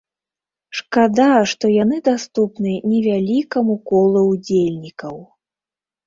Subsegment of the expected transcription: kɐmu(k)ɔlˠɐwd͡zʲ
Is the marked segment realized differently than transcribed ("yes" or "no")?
no